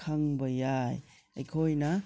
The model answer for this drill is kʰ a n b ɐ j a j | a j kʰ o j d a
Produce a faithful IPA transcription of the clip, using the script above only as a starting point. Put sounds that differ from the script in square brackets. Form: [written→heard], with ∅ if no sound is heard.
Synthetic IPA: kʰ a [n→ŋ] b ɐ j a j | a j kʰ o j [d→n] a